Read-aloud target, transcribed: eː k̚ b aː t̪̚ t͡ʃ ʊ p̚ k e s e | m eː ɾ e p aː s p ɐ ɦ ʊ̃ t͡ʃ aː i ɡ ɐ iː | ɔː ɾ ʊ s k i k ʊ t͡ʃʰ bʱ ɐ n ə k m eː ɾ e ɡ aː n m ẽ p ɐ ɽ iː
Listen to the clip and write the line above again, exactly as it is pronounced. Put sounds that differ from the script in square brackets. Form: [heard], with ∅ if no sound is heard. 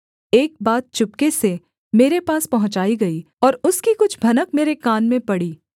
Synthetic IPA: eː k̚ b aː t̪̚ t͡ʃ ʊ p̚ k e s e | m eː ɾ e p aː s p ɐ ɦ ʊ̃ t͡ʃ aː i ɡ ɐ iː | ɔː ɾ ʊ s k i k ʊ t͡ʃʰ bʱ ɐ n ə k m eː ɾ e [k] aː n m ẽ p ɐ ɽ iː

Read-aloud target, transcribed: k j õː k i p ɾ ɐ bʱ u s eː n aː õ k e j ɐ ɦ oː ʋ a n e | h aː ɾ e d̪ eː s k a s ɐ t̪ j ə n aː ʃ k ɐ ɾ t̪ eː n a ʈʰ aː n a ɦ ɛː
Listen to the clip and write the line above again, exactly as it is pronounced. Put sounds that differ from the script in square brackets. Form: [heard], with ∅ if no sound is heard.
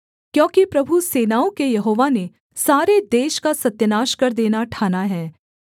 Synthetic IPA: k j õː k i p ɾ ɐ bʱ u s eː n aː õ k e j ɐ ɦ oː ʋ a n e | [s] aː ɾ e d̪ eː [ʃ] k a s ɐ t̪ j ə n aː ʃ k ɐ ɾ [d̪] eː n a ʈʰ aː n a ɦ ɛː

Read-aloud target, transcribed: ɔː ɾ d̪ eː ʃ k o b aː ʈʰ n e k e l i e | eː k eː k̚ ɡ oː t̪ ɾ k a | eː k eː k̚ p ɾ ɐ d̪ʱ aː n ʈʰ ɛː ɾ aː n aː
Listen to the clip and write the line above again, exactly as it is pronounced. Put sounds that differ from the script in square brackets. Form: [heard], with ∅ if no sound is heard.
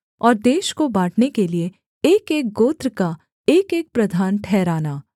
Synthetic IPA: ɔː ɾ d̪ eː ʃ k o b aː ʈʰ n e k e l i e | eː k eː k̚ ɡ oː t̪ ɾ k a | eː k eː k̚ p ɾ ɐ d̪ʱ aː n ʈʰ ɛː ɾ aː n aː

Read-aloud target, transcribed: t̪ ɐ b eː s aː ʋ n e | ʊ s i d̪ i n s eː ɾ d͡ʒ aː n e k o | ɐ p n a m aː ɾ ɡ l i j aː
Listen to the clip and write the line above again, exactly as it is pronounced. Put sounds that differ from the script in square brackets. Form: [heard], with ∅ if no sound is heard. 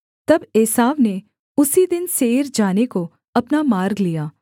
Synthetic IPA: t̪ ɐ b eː s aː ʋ n e | ʊ s i d̪ [ɪ] n s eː ɾ d͡ʒ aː n e k o | ɐ p n a m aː ɾ ɡ l i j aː

